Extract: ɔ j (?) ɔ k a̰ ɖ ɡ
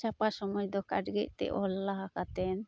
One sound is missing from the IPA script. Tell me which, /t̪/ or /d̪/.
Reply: d̪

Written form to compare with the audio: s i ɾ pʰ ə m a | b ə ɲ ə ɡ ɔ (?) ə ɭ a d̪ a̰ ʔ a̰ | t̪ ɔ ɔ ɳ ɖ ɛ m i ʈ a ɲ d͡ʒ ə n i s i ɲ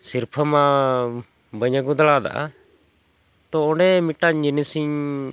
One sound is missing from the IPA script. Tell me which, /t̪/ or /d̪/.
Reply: d̪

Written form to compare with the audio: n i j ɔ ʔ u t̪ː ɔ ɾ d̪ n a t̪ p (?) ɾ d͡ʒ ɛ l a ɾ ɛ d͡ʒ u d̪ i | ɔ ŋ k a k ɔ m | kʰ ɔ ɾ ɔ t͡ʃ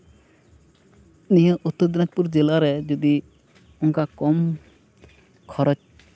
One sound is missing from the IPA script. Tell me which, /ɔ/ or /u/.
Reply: u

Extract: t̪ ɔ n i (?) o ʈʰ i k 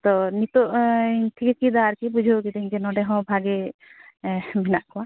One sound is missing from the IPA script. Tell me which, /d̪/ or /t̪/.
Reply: t̪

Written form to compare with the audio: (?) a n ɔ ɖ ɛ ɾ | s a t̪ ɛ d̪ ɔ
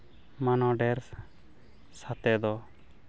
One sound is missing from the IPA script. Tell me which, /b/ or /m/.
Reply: m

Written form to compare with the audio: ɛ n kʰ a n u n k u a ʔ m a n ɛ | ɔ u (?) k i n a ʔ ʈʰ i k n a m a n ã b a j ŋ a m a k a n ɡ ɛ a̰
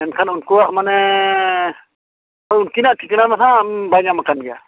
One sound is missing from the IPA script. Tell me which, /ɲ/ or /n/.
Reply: n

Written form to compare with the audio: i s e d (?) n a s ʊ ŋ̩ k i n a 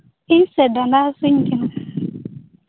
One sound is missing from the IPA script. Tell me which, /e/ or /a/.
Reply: a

